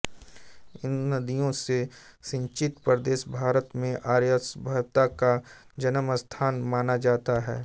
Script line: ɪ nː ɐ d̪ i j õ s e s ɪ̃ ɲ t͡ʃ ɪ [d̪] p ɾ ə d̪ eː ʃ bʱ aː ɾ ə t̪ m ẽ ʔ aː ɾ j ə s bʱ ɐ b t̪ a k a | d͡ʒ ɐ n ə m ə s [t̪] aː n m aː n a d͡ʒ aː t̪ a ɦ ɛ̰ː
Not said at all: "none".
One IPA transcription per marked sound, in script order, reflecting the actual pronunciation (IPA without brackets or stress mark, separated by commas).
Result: t̪, t̪ʰ